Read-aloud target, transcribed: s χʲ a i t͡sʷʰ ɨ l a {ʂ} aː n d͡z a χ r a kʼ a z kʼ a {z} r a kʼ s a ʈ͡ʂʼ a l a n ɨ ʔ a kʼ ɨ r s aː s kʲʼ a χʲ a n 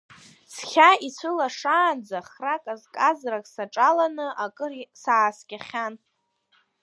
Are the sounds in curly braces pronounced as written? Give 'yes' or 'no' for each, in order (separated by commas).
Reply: yes, yes